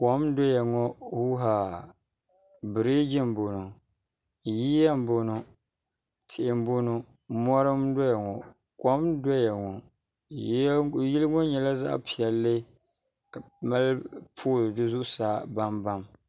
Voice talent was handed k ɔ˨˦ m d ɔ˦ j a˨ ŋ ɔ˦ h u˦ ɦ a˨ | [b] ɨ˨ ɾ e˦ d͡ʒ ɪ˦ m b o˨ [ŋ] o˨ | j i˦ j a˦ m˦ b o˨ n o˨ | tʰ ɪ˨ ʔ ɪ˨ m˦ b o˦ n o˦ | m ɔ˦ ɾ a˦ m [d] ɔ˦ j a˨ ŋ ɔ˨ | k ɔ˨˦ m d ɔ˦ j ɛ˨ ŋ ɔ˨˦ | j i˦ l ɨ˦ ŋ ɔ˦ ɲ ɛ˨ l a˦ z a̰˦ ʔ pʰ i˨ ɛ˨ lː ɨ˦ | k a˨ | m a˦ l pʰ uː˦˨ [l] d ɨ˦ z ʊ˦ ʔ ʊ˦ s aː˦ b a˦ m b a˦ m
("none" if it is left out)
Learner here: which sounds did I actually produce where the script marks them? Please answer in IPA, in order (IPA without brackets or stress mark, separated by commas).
b, n, d, l